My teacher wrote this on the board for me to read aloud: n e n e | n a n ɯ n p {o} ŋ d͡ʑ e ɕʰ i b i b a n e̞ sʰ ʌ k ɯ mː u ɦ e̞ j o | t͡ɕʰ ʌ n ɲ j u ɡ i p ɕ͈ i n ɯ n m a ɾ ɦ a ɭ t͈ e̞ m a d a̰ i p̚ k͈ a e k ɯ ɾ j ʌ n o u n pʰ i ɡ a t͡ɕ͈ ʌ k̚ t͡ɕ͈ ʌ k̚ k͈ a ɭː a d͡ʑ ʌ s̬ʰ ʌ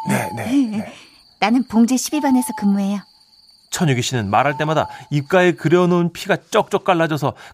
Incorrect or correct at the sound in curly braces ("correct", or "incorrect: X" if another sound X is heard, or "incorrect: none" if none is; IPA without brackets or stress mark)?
correct